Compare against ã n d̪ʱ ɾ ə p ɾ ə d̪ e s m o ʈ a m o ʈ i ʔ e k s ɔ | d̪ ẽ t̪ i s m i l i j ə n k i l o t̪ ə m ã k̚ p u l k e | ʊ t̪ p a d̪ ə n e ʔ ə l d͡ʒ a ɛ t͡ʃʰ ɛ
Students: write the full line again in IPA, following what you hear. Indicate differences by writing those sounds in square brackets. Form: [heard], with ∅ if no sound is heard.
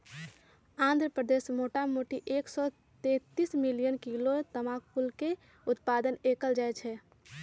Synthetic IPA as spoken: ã n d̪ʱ ɾ ə p ɾ ə d̪ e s m o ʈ a m o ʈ i ʔ e k s ɔ | [t̪] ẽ t̪ i s m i l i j ə n k i l o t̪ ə m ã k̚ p u l k e | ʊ t̪ p a d̪ ə n e [k] ə l d͡ʒ a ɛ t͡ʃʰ ɛ

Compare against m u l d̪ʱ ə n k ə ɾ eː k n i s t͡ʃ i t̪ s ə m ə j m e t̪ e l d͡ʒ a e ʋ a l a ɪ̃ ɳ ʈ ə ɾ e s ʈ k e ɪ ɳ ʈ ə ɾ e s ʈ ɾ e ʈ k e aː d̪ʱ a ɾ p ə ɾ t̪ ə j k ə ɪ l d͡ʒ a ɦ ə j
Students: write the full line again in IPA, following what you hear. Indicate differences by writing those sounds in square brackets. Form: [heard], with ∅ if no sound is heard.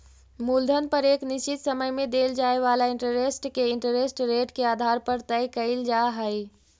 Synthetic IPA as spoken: m u l d̪ʱ ə n [p] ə ɾ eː k n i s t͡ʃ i t̪ s ə m ə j m e [d̪] e l d͡ʒ a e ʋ a l a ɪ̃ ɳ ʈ ə ɾ e s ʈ k e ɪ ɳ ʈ ə ɾ e s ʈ ɾ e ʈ k e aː d̪ʱ a ɾ p ə ɾ t̪ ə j k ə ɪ l d͡ʒ a ɦ ə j

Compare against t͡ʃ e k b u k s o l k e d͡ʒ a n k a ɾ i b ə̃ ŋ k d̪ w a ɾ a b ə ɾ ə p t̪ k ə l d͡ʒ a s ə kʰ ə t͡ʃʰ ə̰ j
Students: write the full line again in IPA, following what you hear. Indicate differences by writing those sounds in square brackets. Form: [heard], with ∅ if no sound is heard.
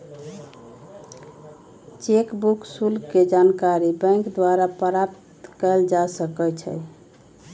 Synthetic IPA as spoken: t͡ʃ e k b u k s [u] l k e d͡ʒ a n k a ɾ i b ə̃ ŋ k d̪ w a ɾ a [p] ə ɾ [a] p t̪ k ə l d͡ʒ a s ə [k] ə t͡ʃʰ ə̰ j

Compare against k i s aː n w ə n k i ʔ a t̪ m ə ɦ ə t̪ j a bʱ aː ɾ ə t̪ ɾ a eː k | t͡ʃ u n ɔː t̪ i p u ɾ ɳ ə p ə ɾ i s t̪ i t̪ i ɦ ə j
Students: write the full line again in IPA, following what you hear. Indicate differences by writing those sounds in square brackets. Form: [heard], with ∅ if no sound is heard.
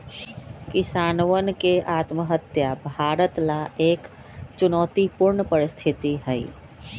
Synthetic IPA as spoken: k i s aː n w ə n k [e] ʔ a t̪ m ə ɦ ə t̪ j a bʱ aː ɾ ə t̪ [l] a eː k | t͡ʃ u n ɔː t̪ i p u ɾ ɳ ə p ə ɾ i s [t̪ʰ] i t̪ i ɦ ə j

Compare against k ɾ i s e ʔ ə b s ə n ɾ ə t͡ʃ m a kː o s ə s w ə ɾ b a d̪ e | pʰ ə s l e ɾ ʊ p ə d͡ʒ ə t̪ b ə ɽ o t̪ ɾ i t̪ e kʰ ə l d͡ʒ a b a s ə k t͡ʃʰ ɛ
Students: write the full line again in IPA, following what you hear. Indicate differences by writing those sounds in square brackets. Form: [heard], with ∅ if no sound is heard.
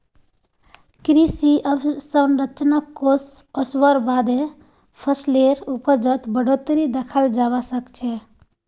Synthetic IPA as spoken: k ɾ i s [i] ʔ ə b s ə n ɾ ə t͡ʃ [n] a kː o s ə s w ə ɾ b a d̪ e | pʰ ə s l e ɾ [u] p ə d͡ʒ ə t̪ b ə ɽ o t̪ ɾ i [d̪] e kʰ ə l d͡ʒ a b a s ə k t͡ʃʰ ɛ

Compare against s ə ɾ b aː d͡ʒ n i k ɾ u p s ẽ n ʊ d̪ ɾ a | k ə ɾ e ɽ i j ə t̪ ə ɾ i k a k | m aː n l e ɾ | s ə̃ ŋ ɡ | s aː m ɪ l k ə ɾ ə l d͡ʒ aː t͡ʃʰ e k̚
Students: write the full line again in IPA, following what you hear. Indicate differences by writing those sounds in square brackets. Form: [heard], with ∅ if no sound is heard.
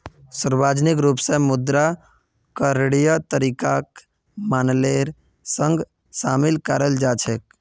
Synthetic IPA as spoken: s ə ɾ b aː d͡ʒ n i k ɾ u p s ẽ [m] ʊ d̪ ɾ a | k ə ɾ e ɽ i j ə t̪ ə ɾ i k a k | m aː n l e ɾ | s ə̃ ŋ ɡ | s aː m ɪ l k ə ɾ ə l d͡ʒ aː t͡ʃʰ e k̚

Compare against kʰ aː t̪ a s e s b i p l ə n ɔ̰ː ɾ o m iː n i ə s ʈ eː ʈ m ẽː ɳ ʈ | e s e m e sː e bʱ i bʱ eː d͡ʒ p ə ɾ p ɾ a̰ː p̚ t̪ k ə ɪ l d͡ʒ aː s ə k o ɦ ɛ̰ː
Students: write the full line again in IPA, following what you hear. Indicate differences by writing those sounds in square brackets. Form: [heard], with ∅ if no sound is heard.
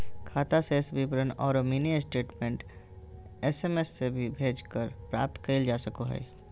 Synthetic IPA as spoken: kʰ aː t̪ a s e s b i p [ɾ] ə n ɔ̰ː ɾ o m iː n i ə s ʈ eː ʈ m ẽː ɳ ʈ | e s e m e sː e bʱ i bʱ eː d͡ʒ [k] ə ɾ p ɾ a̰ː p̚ t̪ k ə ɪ l d͡ʒ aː s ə k o ɦ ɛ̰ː

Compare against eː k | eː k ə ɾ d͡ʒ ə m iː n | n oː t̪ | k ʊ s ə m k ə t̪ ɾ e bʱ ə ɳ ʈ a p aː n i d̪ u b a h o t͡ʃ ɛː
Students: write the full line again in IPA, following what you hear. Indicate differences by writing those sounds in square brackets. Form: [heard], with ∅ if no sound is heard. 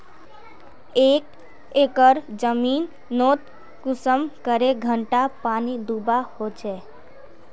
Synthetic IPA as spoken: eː k | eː k ə ɾ d͡ʒ ə m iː n | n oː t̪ | k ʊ s ə m k ə [∅] ɾ e [ɡʱ] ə ɳ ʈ a p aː n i d̪ u b a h o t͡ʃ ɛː

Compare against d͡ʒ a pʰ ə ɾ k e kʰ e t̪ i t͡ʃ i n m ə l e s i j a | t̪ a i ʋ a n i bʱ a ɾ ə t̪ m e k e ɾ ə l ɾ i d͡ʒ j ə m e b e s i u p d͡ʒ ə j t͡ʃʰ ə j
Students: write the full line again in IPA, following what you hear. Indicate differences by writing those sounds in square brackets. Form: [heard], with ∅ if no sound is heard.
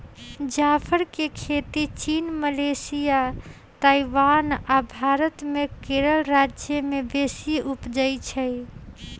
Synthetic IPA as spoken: d͡ʒ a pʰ ə ɾ k e kʰ e t̪ i t͡ʃ i n m ə l e s i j a | t̪ a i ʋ a n [a] bʱ a ɾ ə t̪ m e k e ɾ ə l ɾ [a] d͡ʒ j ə m e b e s i u p d͡ʒ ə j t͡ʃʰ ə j

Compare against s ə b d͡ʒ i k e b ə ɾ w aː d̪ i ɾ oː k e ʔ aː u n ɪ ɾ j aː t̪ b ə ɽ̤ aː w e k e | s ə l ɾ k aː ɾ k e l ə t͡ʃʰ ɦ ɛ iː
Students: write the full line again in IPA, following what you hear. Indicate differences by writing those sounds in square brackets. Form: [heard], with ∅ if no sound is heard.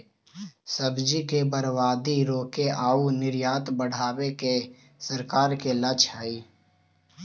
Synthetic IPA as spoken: s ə b d͡ʒ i k e b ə ɾ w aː d̪ i ɾ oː k e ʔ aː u n ɪ ɾ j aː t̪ b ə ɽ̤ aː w e k e | s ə [∅] ɾ k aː ɾ k e l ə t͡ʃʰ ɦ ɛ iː

